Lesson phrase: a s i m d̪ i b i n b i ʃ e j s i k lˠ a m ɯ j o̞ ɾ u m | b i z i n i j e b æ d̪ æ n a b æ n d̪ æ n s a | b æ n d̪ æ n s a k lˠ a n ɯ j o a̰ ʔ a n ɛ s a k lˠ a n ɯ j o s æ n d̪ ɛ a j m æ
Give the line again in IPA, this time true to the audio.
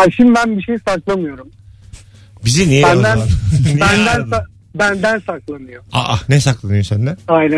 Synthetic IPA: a ʃ i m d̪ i b æ n b i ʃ e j s a k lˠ a m ɯ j o̞ ɾ u m | b i z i n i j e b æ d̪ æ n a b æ n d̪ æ n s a | b æ n d̪ æ n s a k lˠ a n ɯ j o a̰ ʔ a n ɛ s a k lˠ a n ɯ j o s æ n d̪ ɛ a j n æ